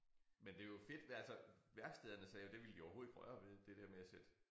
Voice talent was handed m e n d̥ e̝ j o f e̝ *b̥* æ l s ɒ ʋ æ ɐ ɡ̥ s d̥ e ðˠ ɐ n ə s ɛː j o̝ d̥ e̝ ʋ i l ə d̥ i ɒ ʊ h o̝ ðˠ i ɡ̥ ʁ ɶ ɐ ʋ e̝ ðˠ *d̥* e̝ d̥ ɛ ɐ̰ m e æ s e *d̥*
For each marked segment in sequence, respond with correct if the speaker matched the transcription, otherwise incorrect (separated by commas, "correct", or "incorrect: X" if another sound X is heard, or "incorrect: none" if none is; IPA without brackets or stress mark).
incorrect: d̥, correct, correct